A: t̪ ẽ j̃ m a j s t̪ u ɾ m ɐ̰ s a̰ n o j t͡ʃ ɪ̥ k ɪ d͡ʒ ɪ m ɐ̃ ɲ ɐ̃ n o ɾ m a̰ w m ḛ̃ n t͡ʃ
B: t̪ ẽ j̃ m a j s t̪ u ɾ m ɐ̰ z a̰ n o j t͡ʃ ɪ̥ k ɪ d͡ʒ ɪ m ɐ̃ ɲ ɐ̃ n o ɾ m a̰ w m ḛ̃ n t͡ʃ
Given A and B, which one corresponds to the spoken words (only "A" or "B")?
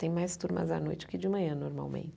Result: B